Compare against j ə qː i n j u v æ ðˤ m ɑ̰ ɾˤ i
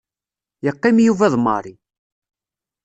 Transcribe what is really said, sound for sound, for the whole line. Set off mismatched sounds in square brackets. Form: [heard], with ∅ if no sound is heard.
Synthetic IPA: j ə qː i [m] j u v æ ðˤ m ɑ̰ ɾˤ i